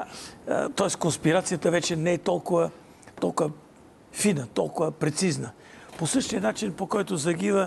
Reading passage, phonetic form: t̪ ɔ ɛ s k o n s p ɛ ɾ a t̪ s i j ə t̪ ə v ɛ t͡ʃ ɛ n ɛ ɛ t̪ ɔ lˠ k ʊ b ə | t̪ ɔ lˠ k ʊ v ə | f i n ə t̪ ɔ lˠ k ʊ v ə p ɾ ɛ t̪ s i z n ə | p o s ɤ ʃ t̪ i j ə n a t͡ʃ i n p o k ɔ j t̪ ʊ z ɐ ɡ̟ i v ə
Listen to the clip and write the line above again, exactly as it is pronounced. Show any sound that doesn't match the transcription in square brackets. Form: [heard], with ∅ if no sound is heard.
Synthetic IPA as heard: t̪ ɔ ɛ s k o n s p [i] ɾ a t̪ s i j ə t̪ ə v ɛ t͡ʃ ɛ n ɛ ɛ t̪ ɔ lˠ k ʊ [v] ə | t̪ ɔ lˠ k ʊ v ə | f i n ə t̪ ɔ lˠ k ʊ v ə p ɾ ɛ t̪ s i z n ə | p o s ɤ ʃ t̪ i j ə n a t͡ʃ i n p o k ɔ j t̪ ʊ z ɐ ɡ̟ i v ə